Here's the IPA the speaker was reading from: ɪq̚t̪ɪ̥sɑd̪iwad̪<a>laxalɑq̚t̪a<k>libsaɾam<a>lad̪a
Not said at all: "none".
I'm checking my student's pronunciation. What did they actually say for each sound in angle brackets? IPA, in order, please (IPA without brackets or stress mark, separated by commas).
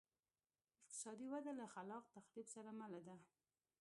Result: a, x, a